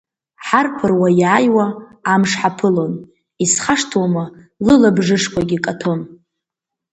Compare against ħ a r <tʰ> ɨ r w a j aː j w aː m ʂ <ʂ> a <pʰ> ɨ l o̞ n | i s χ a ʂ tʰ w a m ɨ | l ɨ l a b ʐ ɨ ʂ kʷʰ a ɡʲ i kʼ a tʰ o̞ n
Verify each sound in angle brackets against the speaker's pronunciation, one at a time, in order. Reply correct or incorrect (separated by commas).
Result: incorrect, incorrect, correct